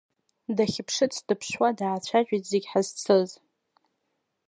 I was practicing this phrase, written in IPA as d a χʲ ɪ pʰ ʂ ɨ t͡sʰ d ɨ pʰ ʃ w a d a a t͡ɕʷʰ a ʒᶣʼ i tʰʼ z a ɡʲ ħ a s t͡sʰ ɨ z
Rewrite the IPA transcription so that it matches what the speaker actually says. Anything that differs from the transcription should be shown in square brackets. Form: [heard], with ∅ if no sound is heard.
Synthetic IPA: d a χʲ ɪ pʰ ʂ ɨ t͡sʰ d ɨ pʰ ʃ w a d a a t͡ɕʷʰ a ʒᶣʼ i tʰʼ z [e] ɡʲ ħ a [z] t͡sʰ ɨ z

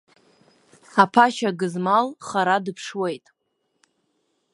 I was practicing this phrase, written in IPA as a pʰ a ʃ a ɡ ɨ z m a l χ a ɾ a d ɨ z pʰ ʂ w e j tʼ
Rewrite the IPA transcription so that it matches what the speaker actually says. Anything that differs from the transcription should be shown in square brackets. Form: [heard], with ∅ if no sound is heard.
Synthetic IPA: a pʰ a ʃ a ɡ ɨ z m a l χ a ɾ a d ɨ [∅] pʰ ʂ w e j tʼ

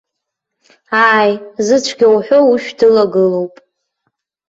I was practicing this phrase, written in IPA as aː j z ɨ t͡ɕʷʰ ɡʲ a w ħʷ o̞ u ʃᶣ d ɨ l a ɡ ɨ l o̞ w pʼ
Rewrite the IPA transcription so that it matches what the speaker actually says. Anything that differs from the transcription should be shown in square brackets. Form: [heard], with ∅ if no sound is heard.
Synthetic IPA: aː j z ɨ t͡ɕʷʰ ɡʲ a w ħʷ o̞ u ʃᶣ d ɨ l a ɡ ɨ l o̞ w pʼ

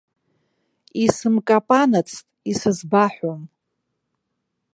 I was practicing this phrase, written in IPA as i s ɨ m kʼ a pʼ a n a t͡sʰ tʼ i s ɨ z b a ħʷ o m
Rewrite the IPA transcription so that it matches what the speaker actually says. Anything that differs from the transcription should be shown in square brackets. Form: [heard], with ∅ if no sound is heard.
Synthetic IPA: i s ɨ m kʼ a pʼ a n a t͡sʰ tʼ i s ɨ z b a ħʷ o m

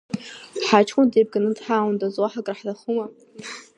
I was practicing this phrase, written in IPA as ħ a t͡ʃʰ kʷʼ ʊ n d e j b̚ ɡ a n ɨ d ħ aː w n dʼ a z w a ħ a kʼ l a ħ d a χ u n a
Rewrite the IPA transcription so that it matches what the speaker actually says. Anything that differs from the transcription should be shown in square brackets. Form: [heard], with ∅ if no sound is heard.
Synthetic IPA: ħ a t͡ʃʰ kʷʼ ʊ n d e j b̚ ɡ a n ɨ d ħ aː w n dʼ a z w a ħ a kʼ [r] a ħ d a χ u [m] a

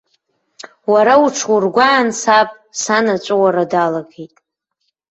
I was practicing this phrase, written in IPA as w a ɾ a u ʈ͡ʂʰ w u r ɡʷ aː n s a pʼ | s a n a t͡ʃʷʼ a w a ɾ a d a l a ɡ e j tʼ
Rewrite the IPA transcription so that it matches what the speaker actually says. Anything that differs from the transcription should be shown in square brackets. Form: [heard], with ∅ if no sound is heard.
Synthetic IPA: w a ɾ a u ʈ͡ʂʰ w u r ɡʷ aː n s a pʼ | s a n a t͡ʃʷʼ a w a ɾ a d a l a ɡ e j tʼ

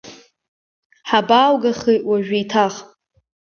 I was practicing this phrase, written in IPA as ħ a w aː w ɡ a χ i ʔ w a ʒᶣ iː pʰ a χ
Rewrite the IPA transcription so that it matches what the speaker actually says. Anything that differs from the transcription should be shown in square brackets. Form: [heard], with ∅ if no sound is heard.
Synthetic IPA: ħ a [b] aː w ɡ a χ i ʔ w a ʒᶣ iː [tʰ] a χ

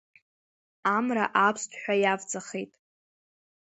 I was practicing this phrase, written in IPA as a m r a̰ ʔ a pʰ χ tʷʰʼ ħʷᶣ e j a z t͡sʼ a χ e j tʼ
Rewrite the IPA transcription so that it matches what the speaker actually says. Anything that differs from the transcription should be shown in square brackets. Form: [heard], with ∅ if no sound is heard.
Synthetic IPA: a m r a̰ ʔ a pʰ [s] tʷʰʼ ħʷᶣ [a] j a [v] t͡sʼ a χ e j tʼ

